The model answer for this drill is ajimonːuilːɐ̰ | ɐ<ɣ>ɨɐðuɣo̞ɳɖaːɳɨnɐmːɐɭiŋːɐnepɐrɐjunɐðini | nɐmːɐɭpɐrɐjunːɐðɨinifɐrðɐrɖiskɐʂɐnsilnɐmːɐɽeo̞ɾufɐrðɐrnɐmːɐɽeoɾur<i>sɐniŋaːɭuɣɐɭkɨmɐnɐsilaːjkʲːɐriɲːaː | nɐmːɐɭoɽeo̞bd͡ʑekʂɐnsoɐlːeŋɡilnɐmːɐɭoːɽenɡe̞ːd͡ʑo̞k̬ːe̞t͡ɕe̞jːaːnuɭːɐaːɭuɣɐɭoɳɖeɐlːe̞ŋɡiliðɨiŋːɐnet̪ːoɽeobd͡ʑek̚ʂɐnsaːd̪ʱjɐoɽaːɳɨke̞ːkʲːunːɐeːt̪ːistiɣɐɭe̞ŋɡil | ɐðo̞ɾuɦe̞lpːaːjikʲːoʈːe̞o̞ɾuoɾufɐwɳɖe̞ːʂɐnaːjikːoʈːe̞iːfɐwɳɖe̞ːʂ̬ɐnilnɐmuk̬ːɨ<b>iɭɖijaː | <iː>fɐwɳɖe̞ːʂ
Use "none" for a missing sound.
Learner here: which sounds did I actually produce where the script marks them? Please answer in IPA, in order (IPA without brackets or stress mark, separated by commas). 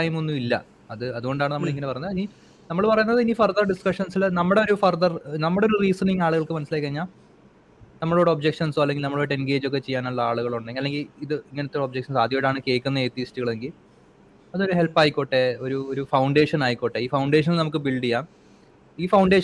ð, iː, b, iː